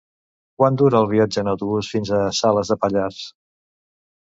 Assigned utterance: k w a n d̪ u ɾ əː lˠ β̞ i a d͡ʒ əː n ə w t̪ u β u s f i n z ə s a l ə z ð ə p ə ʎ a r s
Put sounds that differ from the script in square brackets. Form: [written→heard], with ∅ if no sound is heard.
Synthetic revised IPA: k w a n d̪ u ɾ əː lˠ β̞ i a d͡ʒ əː n ə w t̪ u β u s f i n z ə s a l ə z ð ə p ə ʎ a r s